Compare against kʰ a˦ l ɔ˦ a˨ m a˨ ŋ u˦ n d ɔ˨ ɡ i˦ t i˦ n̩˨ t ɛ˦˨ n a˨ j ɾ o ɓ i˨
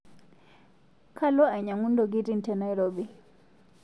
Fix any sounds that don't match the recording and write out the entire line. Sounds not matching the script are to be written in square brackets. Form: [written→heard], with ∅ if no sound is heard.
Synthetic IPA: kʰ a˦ l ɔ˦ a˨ [m→ɲ] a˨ ŋ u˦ n d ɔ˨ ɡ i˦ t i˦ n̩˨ t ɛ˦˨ n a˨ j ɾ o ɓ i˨